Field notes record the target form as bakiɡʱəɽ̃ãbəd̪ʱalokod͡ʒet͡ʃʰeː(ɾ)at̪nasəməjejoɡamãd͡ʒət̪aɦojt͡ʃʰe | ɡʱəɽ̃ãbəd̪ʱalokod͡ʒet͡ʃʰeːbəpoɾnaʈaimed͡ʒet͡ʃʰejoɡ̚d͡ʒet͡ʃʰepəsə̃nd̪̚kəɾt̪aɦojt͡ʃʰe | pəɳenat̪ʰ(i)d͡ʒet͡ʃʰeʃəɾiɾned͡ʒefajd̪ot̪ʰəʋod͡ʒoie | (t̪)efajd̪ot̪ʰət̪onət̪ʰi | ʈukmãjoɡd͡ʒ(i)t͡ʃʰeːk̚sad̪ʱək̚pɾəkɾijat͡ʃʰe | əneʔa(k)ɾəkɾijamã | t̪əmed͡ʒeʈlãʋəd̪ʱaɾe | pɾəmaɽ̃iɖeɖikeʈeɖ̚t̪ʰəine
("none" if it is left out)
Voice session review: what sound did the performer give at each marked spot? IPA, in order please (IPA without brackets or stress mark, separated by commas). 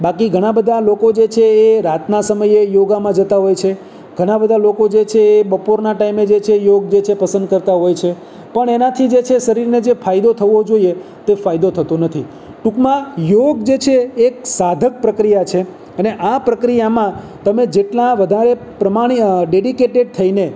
ɾ, i, t̪, e, p